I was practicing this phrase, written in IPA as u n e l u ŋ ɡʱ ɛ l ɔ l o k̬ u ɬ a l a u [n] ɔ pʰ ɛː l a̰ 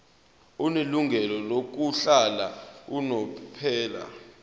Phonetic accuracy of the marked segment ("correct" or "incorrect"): correct